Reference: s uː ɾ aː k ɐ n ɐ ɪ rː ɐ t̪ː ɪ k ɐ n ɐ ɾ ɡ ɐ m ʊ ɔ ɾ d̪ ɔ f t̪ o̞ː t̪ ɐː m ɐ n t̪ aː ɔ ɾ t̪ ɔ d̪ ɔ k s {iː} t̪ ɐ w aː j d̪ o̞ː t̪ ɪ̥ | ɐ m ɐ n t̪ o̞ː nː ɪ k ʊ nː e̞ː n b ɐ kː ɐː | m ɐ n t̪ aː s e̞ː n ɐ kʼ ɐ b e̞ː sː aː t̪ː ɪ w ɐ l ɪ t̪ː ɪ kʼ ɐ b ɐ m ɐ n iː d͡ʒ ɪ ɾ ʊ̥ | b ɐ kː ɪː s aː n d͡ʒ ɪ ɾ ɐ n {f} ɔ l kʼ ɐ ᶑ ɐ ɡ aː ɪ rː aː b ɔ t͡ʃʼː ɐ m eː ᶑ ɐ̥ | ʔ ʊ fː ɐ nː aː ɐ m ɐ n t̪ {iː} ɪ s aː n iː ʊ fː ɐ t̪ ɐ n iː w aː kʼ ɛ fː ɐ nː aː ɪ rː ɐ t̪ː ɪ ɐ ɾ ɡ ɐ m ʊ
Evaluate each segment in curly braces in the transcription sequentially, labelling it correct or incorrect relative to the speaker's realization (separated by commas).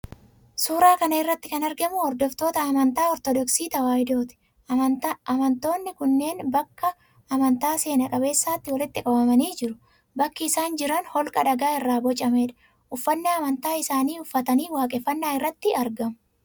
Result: correct, incorrect, incorrect